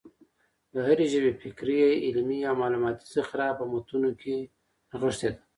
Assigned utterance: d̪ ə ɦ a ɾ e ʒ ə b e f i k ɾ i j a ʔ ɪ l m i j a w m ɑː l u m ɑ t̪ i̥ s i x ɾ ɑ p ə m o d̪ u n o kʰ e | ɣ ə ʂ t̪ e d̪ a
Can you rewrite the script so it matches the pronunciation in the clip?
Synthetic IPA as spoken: d̪ ə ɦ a ɾ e ʒ ə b e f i k ɾ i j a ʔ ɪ l m i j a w m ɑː l u m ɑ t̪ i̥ s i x ɾ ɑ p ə m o t̪ u n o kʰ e | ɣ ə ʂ t̪ e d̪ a

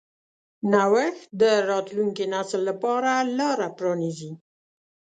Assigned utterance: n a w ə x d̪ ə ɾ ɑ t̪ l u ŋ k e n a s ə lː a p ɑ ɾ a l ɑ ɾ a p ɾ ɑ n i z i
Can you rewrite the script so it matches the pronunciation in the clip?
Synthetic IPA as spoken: n a w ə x d̪ ə ɾ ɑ t̪ l u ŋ k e n a s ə lː a p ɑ ɾ a l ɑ ɾ a p ɾ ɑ n i z i

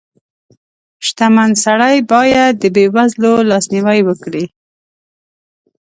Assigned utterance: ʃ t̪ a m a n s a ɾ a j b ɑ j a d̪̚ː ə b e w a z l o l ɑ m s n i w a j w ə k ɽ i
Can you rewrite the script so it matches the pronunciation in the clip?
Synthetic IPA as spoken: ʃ t̪ a m a n s a ɽ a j b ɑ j a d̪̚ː ə b e w a z l o l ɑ s n i w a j w ə k ɽ i

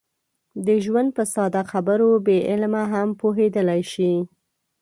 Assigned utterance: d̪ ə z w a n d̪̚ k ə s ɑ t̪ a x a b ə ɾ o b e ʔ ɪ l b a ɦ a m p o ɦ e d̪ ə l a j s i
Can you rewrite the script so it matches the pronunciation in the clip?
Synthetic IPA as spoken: d̪ ə ʒ w a n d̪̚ p ə s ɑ d̪ a x a b ə ɾ o b e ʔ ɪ l m a ɦ a m p o ɦ e d̪ ə l a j ʃ i

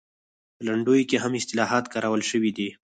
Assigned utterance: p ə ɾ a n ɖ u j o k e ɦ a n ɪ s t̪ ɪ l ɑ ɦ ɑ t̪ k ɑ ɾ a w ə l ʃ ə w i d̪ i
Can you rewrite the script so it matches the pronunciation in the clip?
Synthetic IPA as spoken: p ə l a ɳ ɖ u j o k e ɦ a m ɪ s t̪ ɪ l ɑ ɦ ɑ t̪ k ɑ ɾ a w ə l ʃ ə w i d̪ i

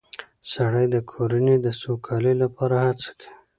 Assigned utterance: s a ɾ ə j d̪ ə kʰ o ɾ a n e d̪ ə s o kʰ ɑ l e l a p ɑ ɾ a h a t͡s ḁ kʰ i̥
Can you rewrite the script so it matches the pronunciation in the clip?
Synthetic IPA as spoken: s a ɽ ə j d̪ ə kʰ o ɾ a n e d̪ ə s o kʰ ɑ l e l a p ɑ ɾ a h a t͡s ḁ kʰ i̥

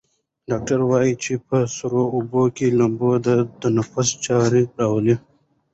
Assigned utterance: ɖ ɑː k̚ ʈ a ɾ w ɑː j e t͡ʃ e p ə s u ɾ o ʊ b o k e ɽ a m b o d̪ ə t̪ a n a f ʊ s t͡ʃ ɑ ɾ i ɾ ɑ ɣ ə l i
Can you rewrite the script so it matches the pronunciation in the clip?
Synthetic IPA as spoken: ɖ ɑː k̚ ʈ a ɾ w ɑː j i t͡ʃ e p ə s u ɾ o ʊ b o k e l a m b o d̪ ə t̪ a n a f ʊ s t͡ʃ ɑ ɾ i ɾ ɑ w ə l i

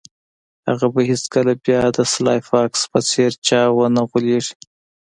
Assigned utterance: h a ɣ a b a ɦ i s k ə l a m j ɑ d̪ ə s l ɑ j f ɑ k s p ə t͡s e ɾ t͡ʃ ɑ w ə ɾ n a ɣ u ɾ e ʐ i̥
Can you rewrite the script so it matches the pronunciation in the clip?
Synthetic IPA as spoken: h a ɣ a b a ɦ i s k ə l a b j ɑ d̪ ə s l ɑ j f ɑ k s p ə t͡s e ɾ t͡ʃ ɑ w ə n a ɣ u l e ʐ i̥

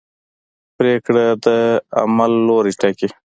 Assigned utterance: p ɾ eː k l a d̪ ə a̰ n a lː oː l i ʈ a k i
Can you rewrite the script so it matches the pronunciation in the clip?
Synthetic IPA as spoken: p ɾ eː k ɽ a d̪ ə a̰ m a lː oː ɾ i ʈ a k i

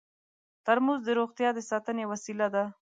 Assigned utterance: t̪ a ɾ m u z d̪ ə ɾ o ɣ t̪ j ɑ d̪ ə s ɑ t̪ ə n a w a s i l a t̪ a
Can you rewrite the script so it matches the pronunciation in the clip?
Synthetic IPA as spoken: t̪ a ɾ m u z d̪ ə ɾ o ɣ t̪ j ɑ d̪ ə s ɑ t̪ ə n e w a s i l a d̪ a

